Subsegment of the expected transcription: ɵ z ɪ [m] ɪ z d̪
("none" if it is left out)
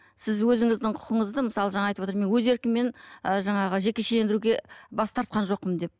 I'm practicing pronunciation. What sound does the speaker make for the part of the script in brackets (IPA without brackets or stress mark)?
ŋ